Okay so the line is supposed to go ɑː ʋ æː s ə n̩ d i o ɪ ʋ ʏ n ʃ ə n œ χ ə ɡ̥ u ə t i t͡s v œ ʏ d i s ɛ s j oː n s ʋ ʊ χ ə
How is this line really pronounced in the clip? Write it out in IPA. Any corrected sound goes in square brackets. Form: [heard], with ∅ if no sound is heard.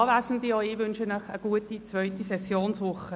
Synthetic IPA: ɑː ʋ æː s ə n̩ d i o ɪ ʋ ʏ n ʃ ə n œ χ ə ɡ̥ u ə t i t͡s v œ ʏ [t] i s ɛ s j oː n s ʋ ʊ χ ə